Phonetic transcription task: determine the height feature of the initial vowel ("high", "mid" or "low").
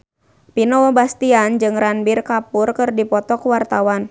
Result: high